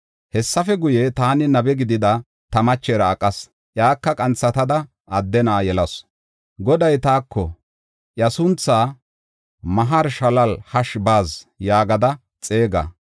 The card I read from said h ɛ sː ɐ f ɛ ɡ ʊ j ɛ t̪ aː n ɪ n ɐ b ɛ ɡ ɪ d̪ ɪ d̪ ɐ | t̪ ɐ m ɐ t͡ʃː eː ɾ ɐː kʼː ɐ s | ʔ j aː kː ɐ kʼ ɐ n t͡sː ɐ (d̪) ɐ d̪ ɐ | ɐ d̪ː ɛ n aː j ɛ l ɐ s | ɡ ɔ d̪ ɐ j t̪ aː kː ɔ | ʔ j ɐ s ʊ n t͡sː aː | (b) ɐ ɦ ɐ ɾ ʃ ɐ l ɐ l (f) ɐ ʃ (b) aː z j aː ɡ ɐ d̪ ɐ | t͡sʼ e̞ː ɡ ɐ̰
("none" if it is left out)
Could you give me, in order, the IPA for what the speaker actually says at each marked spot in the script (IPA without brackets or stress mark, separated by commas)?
t̪, m, h, b